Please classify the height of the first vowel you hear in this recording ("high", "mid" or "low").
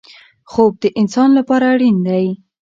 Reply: mid